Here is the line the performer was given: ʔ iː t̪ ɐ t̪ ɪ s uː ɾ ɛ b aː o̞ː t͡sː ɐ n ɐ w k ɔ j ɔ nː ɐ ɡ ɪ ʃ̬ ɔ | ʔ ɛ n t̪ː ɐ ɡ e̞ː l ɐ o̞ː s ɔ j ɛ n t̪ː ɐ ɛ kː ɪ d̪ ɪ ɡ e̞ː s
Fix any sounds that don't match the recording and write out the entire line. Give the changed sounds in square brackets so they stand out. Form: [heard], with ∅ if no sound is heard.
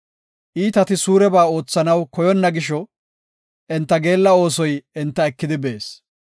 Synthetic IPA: ʔ iː t̪ ɐ t̪ ɪ s uː ɾ ɛ b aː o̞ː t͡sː ɐ n ɐ w k ɔ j ɔ nː ɐ ɡ ɪ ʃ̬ ɔ | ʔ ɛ n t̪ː ɐ ɡ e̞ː [lː] ɐ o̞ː s ɔ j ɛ n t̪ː ɐ ɛ kː ɪ d̪ ɪ [b] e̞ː s